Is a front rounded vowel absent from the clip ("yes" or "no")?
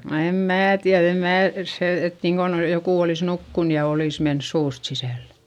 yes